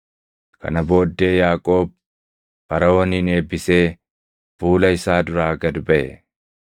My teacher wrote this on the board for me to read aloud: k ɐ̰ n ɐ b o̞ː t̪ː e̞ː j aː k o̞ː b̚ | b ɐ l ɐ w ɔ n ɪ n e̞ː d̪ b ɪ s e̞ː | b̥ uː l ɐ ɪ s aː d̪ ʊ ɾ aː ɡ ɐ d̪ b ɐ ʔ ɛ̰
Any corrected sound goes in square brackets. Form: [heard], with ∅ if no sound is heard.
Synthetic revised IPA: k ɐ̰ n ɐ b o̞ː [d̪ː] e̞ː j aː [kʼ] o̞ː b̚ | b ɐ [ɾ] ɐ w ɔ n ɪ n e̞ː [∅] b ɪ s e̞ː | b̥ uː l ɐ ɪ s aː d̪ ʊ ɾ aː ɡ ɐ d̪ b ɐ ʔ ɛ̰